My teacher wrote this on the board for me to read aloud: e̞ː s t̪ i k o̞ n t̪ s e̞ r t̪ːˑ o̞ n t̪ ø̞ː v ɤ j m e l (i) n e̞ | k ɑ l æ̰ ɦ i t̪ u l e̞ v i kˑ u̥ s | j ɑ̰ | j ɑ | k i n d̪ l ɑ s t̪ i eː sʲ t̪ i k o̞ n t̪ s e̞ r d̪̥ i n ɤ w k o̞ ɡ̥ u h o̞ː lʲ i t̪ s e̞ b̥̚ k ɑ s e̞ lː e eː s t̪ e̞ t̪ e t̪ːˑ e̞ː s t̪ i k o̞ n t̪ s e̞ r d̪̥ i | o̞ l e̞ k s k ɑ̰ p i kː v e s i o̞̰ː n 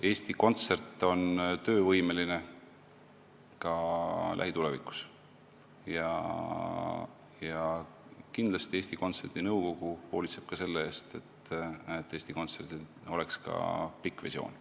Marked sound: correct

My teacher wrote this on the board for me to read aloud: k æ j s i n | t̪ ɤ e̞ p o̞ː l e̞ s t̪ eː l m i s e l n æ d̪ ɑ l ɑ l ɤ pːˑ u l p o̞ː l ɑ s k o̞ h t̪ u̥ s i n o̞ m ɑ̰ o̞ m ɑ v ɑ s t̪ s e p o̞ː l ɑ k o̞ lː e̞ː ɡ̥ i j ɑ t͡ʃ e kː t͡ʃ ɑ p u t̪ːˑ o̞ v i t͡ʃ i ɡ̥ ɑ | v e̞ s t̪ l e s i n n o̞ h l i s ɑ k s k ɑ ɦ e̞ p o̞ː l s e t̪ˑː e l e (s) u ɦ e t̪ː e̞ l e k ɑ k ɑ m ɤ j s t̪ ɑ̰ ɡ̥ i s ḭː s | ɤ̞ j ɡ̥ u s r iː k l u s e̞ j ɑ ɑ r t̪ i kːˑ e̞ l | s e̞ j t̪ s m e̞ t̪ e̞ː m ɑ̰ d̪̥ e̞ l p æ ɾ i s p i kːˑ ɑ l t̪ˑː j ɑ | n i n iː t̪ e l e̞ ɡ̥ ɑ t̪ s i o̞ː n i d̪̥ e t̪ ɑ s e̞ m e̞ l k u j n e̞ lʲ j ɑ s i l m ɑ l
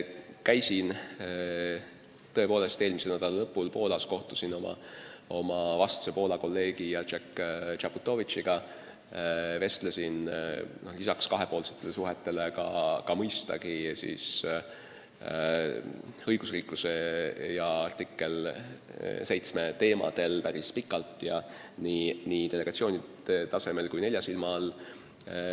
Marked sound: correct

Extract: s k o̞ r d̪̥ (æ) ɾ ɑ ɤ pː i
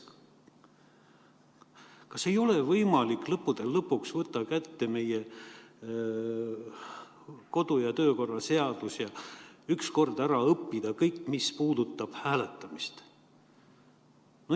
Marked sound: correct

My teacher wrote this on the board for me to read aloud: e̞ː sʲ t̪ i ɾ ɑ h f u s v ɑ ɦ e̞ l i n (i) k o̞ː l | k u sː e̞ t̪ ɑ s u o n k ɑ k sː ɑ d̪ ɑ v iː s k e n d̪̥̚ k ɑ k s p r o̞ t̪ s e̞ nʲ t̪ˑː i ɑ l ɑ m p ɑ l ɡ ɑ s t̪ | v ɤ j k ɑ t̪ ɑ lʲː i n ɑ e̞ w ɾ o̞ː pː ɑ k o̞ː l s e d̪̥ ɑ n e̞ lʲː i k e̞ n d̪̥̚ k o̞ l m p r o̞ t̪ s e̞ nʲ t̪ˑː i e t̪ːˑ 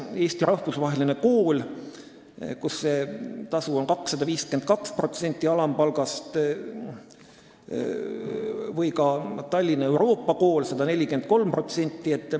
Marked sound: incorrect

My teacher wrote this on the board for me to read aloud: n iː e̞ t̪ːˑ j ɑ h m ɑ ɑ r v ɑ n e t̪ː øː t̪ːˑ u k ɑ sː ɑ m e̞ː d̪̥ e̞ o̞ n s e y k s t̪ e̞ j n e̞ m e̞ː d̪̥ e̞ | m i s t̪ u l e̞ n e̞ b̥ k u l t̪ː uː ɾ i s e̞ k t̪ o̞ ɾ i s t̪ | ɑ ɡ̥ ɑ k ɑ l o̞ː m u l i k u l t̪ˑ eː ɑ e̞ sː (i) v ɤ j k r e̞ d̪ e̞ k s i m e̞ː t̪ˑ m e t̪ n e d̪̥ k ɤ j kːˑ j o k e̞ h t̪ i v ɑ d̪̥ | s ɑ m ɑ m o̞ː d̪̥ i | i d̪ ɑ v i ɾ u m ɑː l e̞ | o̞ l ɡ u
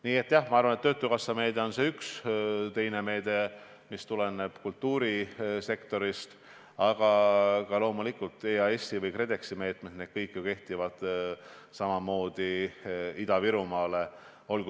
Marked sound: correct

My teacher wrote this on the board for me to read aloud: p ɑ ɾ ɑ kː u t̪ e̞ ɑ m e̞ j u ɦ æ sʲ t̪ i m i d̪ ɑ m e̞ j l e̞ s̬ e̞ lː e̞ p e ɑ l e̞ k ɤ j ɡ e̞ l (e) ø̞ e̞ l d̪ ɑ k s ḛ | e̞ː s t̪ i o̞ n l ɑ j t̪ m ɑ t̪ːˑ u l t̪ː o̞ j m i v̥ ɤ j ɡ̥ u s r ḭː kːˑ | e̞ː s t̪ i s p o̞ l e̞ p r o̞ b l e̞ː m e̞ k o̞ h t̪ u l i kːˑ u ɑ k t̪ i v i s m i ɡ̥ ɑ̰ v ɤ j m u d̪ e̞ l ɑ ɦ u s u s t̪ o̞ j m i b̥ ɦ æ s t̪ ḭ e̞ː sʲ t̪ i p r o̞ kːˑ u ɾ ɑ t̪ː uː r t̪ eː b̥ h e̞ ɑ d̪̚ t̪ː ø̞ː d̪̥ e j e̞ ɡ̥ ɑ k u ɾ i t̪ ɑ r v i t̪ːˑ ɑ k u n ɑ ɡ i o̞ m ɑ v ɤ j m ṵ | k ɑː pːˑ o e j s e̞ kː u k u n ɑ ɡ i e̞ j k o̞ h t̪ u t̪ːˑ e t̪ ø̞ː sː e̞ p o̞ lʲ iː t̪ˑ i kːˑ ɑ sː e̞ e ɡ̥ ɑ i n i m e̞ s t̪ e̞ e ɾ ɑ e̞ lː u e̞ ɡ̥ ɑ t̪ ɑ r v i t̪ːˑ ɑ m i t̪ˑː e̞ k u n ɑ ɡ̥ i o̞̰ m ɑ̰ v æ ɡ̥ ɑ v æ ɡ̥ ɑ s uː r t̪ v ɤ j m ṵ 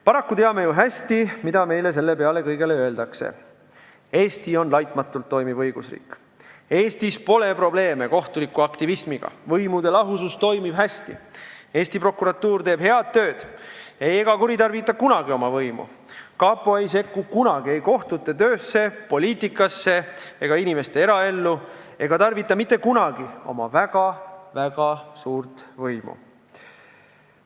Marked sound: correct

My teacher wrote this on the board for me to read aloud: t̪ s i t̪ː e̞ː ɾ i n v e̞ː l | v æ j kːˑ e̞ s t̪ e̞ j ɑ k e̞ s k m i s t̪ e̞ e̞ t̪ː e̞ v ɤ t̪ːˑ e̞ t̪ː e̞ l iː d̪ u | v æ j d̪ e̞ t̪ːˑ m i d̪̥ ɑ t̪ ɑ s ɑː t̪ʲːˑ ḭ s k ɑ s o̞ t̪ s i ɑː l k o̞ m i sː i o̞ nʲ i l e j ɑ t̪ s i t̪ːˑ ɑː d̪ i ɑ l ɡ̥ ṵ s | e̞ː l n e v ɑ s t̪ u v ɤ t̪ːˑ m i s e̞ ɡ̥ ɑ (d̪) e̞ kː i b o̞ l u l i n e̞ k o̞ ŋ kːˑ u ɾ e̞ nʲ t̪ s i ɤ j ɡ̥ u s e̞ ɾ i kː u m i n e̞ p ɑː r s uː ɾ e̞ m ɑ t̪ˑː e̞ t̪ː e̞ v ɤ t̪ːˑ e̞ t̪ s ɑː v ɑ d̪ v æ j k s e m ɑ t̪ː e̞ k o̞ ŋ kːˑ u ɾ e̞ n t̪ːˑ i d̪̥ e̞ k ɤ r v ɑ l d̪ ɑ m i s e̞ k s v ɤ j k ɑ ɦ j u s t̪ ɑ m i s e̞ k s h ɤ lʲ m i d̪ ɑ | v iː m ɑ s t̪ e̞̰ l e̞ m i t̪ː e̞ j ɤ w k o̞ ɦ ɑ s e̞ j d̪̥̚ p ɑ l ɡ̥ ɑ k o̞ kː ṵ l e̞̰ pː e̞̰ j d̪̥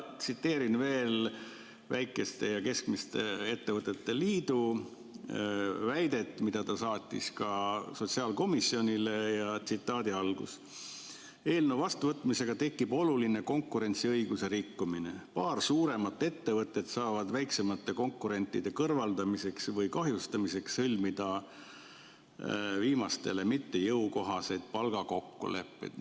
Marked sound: incorrect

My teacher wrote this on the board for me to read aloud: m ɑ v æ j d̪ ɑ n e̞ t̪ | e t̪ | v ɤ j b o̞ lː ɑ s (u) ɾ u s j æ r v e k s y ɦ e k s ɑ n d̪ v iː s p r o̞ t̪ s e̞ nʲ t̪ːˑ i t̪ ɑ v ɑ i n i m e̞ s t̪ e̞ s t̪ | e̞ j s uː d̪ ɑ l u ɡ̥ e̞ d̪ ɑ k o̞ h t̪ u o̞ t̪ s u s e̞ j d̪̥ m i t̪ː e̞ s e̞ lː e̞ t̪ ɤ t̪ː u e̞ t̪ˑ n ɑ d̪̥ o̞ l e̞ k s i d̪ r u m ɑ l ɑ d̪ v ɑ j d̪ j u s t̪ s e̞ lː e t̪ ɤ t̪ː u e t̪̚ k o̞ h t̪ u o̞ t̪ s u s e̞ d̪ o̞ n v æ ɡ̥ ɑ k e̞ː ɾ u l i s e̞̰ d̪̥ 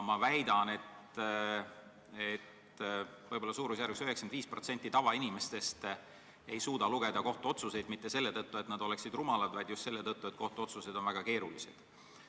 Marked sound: incorrect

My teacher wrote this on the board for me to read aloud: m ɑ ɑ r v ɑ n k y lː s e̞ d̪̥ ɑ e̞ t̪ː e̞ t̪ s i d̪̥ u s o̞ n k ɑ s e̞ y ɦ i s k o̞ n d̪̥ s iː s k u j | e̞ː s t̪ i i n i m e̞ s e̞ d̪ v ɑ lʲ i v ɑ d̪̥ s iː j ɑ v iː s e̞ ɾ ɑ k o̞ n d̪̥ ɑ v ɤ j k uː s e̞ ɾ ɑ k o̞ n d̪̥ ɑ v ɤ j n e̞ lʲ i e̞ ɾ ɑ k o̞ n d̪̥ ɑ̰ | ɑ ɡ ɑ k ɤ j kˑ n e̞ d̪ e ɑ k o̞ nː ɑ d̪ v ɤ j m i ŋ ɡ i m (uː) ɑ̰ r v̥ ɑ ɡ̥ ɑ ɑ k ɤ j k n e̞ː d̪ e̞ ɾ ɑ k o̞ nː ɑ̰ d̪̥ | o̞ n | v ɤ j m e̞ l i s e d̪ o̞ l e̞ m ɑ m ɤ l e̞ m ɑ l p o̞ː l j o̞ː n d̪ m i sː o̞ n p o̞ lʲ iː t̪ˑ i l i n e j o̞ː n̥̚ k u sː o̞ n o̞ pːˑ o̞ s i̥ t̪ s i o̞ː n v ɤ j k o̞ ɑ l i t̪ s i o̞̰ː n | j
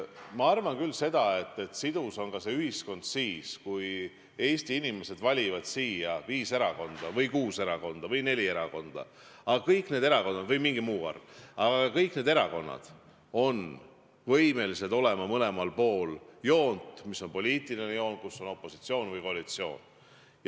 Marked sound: correct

